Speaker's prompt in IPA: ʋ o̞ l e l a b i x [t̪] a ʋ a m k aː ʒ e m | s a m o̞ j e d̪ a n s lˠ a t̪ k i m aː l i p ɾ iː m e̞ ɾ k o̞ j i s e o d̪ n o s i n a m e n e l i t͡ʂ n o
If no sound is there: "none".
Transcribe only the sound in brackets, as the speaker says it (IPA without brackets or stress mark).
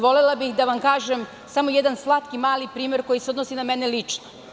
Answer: d̪